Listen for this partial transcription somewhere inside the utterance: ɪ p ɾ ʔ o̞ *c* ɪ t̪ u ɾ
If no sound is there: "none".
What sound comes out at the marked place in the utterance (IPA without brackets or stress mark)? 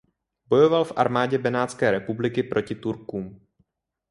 c